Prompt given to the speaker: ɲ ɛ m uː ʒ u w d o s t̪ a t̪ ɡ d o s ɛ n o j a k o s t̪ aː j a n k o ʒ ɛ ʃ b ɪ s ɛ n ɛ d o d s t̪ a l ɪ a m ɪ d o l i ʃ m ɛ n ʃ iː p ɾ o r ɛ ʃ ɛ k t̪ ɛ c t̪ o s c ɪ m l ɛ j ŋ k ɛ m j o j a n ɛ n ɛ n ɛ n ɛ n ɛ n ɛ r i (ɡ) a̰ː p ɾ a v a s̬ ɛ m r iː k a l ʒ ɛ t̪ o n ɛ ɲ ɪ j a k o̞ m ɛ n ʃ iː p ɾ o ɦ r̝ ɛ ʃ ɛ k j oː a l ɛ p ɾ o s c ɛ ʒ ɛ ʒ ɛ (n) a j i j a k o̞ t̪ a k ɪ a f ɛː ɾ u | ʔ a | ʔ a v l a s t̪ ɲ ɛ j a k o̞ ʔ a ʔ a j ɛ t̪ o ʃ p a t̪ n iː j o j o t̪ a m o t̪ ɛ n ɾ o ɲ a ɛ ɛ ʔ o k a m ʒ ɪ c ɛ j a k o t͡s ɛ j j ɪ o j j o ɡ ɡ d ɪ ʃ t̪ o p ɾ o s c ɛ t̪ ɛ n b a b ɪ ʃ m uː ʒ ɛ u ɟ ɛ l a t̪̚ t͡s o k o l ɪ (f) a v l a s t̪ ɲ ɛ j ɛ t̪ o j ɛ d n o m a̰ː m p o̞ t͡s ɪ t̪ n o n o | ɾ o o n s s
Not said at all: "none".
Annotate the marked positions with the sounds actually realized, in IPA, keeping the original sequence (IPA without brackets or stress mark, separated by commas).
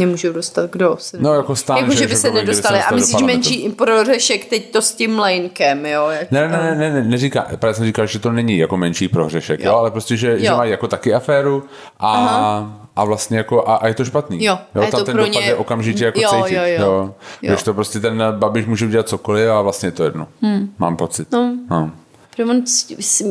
k, m, f